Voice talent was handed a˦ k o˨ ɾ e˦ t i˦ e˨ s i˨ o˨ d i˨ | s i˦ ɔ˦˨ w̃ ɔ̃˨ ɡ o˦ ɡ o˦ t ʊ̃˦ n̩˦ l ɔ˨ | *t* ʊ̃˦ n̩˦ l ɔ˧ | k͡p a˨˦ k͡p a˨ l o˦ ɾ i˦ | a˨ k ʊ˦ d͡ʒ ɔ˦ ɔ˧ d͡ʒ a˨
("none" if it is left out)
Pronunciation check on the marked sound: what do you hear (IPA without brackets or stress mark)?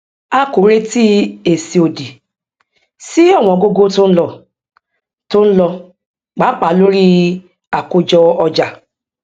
t